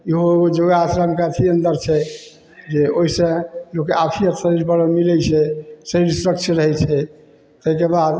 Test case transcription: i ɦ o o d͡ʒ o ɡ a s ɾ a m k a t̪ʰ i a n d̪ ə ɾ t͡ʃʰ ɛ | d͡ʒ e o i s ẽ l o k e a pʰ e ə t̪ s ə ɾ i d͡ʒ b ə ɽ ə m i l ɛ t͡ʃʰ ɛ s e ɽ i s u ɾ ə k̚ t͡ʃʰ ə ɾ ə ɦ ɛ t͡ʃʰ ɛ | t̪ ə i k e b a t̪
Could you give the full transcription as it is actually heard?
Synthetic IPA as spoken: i ɦ o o d͡ʒ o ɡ a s ɾ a m k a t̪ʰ i ə n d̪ ə ɾ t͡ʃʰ ɛ | d͡ʒ e o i s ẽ l o k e a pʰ i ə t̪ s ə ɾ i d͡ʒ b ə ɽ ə m i l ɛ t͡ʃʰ ɛ s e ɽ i s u ɾ ə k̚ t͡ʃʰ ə ɾ ə ɦ ɛ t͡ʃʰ ɛ | t̪ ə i k e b a d̪